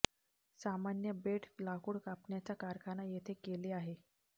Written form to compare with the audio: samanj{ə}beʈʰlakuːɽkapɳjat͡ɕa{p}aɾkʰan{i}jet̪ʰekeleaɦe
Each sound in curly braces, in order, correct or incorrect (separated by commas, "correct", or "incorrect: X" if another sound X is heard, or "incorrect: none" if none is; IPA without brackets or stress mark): correct, incorrect: k, incorrect: a